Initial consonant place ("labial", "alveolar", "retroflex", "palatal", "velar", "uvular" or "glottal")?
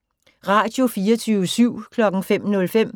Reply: uvular